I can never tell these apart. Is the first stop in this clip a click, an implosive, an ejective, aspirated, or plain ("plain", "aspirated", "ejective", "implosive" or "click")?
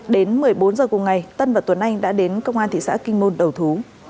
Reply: implosive